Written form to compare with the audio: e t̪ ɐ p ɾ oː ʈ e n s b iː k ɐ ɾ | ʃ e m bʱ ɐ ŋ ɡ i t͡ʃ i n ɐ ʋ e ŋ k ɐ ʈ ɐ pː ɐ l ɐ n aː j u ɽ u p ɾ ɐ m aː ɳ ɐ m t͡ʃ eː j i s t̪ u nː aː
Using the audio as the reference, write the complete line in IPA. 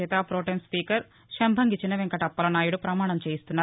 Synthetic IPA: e t̪ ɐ p ɾ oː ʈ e n s p iː k ɐ ɾ | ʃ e m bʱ ɐ ŋ ɡ i t͡ʃ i n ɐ ʋ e ŋ k ɐ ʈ ɐ pː ɐ l ɐ n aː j u ɽ u p ɾ ɐ m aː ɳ ɐ m t͡ʃ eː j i s t̪ u nː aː

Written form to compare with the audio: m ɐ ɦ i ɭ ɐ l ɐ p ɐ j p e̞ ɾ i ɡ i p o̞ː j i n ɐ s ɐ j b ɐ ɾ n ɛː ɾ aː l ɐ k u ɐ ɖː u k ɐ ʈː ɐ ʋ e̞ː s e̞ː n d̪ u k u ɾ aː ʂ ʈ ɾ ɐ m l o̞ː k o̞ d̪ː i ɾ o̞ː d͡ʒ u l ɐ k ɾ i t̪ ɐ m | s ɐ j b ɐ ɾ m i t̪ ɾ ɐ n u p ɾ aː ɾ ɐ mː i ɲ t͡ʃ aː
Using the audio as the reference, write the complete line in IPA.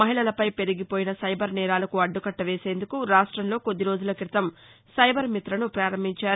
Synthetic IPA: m ɐ ɦ i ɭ ɐ l ɐ p ɐ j p e̞ ɾ i ɡ i p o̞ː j i n ɐ s ɐ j b ɐ ɾ n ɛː ɾ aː l ɐ k u ɐ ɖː u k ɐ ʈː ɐ ʋ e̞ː s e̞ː n d̪ u k u ɾ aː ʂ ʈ ɾ ɐ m l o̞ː k o̞ d̪ː i ɾ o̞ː d͡ʒ u l ɐ k ɾ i t̪ ɐ m | s ɐ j b ɐ ɾ m i t̪ ɾ ɐ n u p ɾ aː ɾ ɐ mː i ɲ t͡ʃ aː

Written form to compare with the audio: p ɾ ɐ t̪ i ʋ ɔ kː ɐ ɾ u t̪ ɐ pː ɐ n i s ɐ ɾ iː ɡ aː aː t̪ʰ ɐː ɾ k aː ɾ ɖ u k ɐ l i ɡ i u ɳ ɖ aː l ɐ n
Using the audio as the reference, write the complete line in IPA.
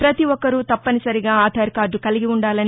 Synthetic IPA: p ɾ ɐ t̪ i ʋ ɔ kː ɐ ɾ u t̪ ɐ pː ɐ n i s ɐ ɾ i ɡ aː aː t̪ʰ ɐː ɾ k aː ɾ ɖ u k ɐ l i ɡ i u ɳ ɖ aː l ɐ n

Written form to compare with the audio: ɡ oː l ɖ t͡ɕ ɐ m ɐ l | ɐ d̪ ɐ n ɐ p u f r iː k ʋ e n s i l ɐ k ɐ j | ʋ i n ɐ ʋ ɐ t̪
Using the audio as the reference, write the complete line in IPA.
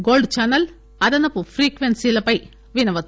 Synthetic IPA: ɡ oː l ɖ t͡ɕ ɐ n ɐ l | ɐ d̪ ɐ n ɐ p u f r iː k ʋ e n s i l ɐ p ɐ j | ʋ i n ɐ ʋ ɐ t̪

